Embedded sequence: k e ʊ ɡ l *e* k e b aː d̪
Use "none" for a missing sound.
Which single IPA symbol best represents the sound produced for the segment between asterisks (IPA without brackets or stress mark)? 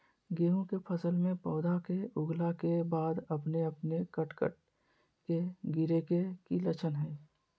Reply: a